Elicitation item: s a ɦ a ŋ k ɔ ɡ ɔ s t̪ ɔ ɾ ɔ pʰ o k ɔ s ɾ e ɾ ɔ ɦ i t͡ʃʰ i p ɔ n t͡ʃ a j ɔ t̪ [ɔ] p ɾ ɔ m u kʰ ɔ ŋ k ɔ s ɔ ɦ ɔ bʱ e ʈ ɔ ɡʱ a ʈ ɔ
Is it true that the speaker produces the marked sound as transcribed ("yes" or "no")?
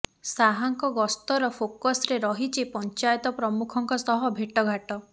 yes